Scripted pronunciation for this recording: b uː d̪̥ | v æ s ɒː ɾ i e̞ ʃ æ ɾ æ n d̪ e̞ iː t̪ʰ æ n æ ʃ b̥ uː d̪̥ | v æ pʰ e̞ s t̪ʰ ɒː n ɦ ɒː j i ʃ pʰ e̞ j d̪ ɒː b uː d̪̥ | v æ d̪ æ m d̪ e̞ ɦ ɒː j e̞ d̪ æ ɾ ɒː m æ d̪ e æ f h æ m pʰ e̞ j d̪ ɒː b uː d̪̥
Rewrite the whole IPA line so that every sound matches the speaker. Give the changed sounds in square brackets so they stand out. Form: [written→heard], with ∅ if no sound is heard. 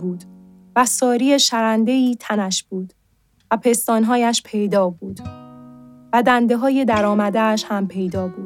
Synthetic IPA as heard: b uː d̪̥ | v æ s ɒː ɾ i e̞ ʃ æ ɾ æ n d̪ e̞ iː t̪ʰ æ n æ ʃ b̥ uː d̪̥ | v æ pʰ e̞ s [t̪ʰ→t̪] ɒː n ɦ ɒː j [i→æ] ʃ pʰ e̞ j d̪ ɒː b uː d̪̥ | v æ d̪ æ [m→n] d̪ e̞ ɦ ɒː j e̞ d̪ æ ɾ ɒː m æ d̪ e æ [f→ʃ] h æ m pʰ e̞ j d̪ ɒː b uː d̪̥